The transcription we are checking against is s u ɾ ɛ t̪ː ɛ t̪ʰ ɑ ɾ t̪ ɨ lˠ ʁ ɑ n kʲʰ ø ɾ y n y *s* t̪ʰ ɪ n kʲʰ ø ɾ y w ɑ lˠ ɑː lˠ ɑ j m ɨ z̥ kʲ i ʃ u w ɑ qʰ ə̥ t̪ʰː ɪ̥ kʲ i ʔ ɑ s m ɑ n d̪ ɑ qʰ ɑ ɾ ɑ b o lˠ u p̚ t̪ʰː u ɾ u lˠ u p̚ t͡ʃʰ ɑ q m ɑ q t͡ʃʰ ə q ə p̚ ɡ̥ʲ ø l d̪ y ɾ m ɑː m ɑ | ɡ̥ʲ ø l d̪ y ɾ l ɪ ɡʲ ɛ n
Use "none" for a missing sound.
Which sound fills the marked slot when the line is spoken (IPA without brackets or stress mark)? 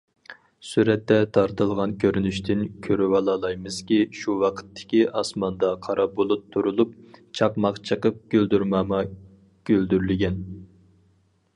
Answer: ʃ